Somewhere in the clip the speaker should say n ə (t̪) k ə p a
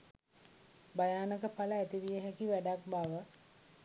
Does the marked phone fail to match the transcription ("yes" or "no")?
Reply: yes